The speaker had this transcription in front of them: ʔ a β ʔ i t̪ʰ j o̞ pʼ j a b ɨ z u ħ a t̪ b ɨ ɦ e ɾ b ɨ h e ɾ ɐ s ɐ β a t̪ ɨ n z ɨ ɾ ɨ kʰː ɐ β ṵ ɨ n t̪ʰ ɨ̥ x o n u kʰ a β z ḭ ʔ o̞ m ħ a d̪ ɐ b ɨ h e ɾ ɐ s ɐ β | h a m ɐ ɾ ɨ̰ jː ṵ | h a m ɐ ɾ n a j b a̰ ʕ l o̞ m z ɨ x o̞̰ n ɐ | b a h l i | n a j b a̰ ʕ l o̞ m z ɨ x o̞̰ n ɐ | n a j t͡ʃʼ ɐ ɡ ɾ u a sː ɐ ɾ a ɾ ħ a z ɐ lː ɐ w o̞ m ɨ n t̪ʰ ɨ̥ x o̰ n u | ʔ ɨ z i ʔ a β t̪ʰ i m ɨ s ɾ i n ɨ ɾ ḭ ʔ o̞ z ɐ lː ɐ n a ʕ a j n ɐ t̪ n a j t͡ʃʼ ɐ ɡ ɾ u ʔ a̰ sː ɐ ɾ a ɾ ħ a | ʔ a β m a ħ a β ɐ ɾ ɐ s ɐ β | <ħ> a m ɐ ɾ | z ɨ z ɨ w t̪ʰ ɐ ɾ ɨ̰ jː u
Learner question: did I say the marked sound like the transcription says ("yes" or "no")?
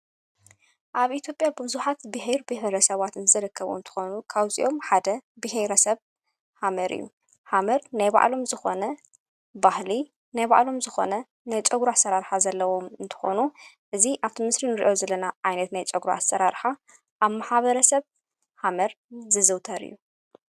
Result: no